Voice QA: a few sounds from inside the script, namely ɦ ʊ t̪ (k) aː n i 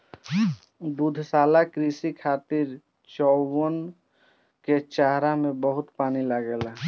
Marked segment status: incorrect: p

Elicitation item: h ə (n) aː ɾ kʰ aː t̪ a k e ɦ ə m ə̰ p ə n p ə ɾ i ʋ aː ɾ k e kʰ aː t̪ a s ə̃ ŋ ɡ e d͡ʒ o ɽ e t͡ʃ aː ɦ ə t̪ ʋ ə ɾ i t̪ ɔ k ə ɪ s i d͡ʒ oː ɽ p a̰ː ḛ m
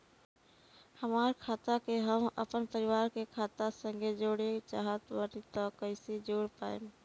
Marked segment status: incorrect: m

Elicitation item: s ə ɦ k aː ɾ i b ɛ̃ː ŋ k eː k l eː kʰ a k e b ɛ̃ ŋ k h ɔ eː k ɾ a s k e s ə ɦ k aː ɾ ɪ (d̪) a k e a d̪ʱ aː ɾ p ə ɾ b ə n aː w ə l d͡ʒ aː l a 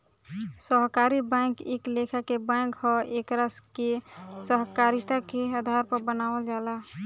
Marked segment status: incorrect: t̪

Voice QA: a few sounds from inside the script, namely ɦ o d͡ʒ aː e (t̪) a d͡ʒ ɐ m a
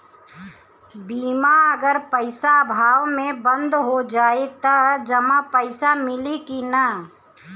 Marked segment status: correct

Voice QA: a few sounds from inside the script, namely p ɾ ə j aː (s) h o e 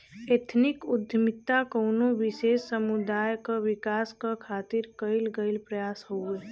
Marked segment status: correct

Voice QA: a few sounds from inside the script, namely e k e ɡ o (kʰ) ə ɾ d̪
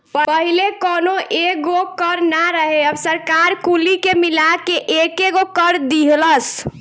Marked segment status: incorrect: k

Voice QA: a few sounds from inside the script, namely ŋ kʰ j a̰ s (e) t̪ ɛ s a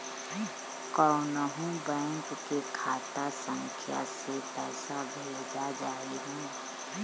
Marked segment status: correct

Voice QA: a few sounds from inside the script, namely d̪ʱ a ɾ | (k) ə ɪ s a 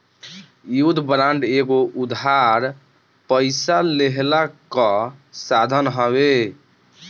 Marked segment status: incorrect: p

